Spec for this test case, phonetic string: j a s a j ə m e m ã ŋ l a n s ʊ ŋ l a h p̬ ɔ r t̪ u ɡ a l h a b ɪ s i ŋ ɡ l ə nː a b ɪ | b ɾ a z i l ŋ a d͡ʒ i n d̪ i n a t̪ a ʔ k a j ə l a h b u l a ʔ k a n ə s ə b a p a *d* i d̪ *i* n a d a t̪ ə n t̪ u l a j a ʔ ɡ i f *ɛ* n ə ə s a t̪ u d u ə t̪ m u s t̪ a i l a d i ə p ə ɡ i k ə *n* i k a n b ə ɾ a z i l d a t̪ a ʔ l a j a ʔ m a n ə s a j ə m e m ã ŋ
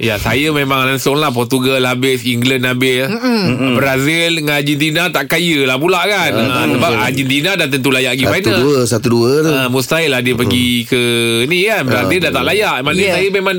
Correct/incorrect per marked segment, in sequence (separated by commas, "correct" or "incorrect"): incorrect, correct, incorrect, correct